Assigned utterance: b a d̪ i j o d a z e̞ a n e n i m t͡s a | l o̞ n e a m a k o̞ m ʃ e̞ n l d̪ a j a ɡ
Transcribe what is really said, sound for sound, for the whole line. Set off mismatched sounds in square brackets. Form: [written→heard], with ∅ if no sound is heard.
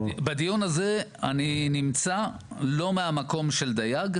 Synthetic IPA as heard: b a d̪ i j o [d→n] a z e̞ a n [e→i] n i m t͡s a | l o̞ [n→m] e a m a k o̞ m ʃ e̞ [n→∅] l d̪ a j a ɡ